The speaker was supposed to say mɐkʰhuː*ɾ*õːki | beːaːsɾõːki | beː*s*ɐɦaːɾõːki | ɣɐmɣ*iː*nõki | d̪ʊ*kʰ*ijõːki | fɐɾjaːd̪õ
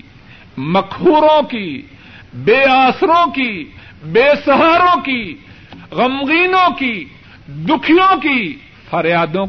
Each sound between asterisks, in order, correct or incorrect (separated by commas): correct, correct, correct, correct